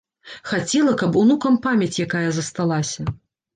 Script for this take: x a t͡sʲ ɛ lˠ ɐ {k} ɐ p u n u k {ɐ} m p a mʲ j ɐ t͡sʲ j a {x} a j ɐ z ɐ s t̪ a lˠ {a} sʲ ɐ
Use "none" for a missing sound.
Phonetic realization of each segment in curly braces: k, ɐ, k, a

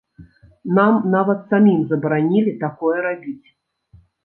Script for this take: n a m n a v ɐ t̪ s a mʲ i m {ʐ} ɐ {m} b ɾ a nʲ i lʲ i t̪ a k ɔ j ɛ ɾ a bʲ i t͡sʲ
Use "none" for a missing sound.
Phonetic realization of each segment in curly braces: z, none

